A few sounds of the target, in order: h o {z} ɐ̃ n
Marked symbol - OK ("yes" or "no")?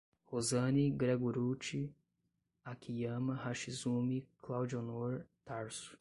yes